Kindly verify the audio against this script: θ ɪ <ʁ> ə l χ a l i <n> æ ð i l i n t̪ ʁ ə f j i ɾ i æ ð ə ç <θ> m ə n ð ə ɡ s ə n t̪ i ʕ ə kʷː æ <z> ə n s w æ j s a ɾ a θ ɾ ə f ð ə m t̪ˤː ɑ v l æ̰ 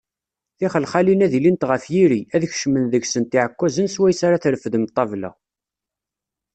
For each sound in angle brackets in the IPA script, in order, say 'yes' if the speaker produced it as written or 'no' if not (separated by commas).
no, yes, no, yes